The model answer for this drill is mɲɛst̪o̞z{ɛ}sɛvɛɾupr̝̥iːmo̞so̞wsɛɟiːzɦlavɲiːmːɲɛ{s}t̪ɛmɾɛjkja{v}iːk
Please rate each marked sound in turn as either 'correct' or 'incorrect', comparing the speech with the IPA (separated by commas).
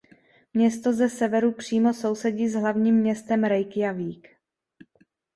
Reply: correct, correct, correct